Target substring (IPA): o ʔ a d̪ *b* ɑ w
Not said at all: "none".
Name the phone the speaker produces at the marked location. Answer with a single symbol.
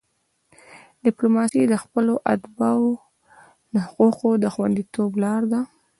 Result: b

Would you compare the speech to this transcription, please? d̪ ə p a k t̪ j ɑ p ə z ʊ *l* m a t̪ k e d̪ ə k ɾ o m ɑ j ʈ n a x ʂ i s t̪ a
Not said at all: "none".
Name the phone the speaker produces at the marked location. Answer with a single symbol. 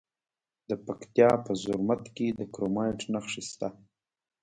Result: ɾ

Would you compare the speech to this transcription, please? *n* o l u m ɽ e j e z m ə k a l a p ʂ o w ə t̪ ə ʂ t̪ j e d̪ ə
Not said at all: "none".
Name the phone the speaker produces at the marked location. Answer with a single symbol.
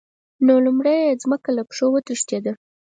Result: n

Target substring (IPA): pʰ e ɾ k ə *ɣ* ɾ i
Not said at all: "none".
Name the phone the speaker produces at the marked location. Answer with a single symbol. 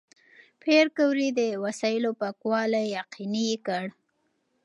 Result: w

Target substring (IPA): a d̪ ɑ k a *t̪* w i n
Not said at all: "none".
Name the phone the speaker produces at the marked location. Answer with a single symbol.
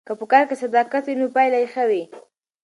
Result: t̪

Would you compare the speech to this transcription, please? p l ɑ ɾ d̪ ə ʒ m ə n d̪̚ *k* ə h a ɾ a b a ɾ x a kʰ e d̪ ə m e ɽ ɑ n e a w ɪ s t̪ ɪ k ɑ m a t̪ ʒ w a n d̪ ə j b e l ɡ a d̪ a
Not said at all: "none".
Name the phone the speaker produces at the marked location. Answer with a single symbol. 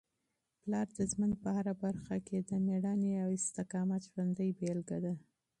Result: p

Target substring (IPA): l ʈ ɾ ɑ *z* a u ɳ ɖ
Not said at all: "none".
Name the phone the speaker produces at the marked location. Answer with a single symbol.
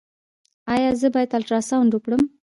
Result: s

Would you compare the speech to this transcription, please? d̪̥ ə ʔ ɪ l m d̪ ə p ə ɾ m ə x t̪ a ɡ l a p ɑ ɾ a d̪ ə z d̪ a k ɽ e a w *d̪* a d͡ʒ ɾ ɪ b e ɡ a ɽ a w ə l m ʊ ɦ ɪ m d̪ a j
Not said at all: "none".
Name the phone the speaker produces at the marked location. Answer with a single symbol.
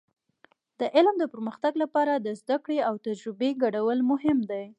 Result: t̪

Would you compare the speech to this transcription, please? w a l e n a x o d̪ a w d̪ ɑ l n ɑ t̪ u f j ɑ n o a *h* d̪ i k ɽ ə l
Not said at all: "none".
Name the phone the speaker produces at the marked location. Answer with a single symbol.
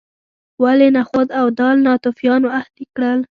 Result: h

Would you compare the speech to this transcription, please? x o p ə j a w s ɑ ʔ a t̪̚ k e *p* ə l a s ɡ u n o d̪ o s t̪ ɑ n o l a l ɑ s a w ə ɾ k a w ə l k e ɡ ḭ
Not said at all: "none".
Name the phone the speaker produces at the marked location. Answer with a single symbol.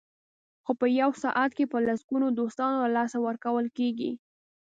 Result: p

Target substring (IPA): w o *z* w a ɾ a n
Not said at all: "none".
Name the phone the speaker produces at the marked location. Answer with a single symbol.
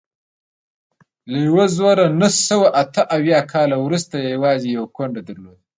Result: z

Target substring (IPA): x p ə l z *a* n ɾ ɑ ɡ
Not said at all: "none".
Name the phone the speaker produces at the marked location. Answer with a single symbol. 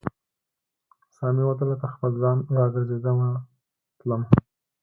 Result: ɑ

